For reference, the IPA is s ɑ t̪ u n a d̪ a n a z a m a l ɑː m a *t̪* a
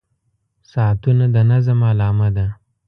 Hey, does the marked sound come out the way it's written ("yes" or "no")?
no